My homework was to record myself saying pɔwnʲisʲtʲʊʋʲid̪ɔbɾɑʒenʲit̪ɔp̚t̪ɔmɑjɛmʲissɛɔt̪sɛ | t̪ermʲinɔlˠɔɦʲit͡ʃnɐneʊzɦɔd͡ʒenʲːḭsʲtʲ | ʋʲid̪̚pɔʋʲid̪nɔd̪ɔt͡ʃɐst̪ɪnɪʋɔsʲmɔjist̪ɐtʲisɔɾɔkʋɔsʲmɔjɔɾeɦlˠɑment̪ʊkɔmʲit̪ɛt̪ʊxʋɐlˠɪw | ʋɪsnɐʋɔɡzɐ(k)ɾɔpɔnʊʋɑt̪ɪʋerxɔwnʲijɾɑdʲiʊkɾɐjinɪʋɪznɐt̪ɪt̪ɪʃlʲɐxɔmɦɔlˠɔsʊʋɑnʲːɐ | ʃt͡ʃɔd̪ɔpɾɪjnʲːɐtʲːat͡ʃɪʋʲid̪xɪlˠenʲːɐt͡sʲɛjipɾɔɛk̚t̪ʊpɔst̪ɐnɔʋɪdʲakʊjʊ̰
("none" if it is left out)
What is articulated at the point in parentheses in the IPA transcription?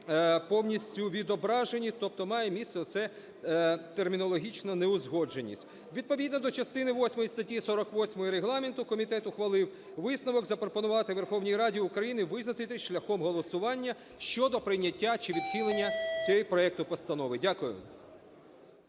p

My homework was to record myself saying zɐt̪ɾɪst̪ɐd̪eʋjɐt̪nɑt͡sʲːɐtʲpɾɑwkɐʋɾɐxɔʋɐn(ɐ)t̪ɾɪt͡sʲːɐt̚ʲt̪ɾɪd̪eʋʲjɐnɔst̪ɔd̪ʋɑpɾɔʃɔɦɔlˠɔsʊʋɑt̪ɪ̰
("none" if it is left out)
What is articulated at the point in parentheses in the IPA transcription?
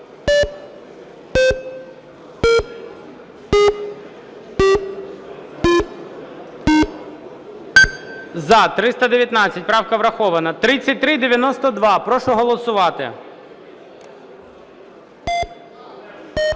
ɐ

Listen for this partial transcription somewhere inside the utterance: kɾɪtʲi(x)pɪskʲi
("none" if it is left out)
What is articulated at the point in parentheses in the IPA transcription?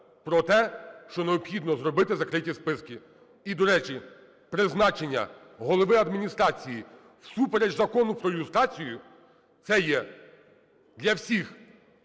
s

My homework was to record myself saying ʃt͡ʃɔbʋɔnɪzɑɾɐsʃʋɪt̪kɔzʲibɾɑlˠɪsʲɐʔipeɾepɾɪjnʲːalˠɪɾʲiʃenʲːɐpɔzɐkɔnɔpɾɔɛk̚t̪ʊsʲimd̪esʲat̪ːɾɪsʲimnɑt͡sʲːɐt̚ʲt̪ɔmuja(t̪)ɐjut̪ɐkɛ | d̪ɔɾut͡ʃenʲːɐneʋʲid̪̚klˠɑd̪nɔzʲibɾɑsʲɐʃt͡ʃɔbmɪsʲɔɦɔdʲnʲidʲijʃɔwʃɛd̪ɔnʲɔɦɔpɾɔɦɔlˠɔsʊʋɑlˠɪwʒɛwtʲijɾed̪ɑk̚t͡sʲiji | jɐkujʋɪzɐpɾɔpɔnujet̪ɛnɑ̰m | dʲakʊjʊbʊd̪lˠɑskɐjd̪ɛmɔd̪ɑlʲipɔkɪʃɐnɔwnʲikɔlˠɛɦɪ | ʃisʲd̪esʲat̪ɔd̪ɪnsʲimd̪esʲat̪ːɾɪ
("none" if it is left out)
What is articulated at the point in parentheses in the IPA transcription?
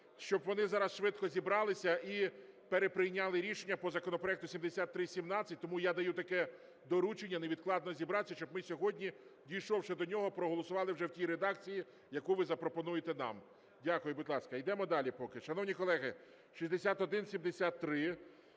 d̪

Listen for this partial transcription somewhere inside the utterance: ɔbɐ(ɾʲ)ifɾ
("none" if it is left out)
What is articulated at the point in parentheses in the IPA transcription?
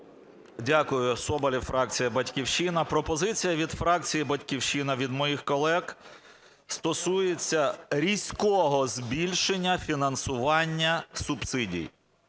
lʲ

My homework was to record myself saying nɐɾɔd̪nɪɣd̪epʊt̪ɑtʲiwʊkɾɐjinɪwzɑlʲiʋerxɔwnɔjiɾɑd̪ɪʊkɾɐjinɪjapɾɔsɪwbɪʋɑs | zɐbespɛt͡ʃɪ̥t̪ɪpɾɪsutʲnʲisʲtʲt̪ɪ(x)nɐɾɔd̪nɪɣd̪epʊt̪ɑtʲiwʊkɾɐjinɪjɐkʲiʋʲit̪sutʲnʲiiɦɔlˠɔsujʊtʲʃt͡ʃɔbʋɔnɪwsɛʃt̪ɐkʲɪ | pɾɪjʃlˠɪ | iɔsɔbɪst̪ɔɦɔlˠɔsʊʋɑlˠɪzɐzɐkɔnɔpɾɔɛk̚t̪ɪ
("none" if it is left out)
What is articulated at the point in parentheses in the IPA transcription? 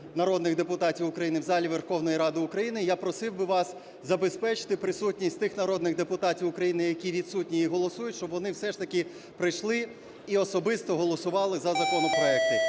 x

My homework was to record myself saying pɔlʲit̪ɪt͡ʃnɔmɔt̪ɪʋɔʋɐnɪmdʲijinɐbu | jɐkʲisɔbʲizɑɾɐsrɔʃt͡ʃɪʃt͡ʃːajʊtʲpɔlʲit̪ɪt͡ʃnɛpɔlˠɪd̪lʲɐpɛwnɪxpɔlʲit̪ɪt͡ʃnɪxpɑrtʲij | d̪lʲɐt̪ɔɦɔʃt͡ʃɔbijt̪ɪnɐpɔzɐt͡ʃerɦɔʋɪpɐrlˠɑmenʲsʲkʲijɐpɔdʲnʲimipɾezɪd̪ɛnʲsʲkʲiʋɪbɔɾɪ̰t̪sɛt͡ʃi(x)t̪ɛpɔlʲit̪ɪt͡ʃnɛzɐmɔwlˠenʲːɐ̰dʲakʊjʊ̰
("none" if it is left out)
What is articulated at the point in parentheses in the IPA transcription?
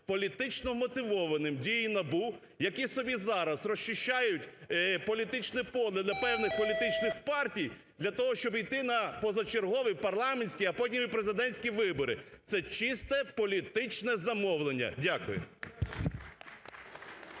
s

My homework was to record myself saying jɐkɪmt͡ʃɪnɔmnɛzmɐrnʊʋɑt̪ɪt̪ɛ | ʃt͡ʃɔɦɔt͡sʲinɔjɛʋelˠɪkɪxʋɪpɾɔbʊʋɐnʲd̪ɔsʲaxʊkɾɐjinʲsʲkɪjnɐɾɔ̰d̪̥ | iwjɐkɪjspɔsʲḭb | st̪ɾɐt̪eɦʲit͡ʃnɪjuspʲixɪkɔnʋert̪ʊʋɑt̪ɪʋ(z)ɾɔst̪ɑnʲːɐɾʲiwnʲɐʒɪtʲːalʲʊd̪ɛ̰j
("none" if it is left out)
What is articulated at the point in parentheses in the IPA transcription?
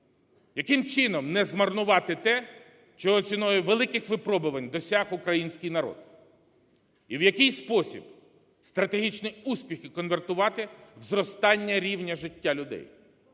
z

